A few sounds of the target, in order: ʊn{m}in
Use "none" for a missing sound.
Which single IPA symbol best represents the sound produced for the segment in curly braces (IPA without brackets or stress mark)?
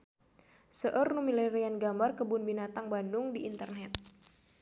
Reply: b